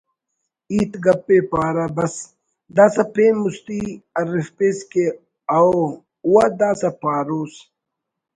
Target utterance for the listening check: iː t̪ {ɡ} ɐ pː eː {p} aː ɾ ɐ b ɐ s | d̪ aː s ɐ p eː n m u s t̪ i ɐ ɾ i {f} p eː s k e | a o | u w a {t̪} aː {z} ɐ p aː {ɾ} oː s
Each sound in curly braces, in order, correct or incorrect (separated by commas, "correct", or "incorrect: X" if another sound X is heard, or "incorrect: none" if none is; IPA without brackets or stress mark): correct, correct, correct, incorrect: d̪, incorrect: s, correct